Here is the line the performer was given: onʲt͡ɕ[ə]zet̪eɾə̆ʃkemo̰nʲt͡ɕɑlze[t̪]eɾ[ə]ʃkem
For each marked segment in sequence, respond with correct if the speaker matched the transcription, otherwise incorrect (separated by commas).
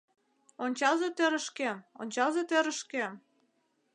incorrect, correct, correct